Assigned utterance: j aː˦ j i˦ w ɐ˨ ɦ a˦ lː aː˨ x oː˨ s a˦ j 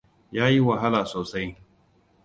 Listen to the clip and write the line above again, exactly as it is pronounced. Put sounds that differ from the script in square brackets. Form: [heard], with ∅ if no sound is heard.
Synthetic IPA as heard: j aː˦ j i˦ w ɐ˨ ɦ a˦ [l] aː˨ [s] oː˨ s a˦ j